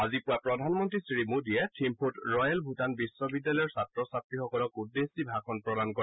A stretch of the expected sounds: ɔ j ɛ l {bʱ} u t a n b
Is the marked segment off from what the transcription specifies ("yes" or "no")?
no